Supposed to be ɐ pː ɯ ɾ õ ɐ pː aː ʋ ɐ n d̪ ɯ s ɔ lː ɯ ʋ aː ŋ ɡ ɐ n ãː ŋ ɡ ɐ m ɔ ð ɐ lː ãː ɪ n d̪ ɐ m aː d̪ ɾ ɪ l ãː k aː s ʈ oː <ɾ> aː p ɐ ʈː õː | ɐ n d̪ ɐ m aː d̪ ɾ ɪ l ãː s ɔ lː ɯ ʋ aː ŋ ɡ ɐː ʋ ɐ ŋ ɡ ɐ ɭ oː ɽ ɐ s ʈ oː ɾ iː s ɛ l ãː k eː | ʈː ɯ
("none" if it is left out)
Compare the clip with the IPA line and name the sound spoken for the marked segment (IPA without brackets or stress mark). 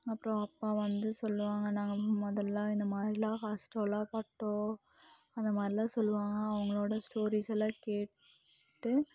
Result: l